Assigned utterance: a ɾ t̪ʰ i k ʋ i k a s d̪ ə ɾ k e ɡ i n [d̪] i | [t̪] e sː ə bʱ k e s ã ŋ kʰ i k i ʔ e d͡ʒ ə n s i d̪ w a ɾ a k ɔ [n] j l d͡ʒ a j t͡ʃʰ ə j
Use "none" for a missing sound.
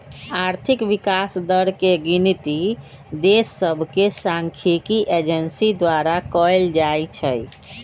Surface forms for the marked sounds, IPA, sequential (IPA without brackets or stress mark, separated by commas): t̪, d̪, none